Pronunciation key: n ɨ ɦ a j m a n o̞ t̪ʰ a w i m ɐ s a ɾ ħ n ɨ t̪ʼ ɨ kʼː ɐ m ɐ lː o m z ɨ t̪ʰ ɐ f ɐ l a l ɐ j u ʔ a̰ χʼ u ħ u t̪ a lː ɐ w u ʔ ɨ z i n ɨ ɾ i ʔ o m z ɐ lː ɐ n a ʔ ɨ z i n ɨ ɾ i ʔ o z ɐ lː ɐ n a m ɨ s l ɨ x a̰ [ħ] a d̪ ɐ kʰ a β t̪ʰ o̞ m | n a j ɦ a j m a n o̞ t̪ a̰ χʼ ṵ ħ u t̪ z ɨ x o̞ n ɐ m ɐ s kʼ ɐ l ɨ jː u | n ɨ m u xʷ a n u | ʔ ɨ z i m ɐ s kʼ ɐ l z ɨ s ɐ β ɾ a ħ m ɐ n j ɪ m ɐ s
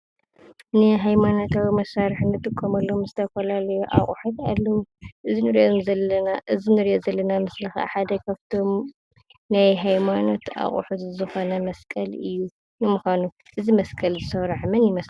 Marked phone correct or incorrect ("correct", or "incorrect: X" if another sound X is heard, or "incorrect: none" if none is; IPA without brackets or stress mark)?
correct